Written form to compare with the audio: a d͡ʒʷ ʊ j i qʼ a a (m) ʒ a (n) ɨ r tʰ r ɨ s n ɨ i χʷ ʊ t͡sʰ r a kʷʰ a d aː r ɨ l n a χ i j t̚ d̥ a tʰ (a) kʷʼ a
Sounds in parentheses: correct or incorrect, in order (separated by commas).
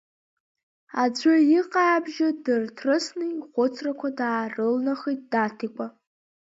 incorrect, incorrect, incorrect